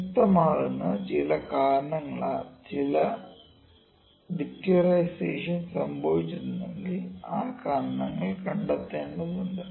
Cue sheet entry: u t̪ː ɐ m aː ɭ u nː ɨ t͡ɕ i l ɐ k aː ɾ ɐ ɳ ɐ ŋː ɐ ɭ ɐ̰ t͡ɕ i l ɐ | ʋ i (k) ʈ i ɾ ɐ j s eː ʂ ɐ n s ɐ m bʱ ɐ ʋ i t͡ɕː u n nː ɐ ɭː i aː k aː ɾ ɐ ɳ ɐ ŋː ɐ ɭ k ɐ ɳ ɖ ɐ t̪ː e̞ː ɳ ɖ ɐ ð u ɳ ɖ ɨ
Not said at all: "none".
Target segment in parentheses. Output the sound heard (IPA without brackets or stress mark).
k